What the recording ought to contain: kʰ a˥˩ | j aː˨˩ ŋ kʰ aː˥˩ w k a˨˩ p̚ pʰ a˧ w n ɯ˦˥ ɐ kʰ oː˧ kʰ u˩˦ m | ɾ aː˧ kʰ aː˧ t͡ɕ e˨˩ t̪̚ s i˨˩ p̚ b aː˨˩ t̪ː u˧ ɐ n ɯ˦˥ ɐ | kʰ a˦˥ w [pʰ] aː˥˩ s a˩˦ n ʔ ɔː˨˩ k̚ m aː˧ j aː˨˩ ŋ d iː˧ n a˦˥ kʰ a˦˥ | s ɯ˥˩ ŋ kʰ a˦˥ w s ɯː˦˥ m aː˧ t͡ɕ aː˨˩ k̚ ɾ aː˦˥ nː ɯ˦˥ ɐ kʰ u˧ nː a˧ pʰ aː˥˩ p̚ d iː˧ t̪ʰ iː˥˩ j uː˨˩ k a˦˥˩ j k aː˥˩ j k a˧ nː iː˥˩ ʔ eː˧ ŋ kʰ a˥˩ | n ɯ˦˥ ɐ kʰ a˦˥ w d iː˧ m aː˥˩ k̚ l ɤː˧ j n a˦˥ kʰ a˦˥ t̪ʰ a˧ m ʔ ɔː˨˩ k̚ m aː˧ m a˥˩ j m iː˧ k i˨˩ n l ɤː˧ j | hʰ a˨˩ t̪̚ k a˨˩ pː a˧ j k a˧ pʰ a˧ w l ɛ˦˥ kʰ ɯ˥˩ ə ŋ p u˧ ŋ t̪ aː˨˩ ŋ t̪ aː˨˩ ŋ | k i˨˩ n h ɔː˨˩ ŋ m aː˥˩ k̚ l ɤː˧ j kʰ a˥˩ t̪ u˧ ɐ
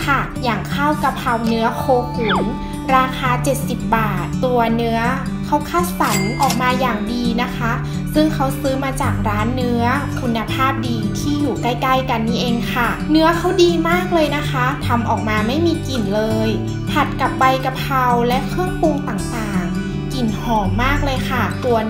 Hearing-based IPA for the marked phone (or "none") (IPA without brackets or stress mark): kʰ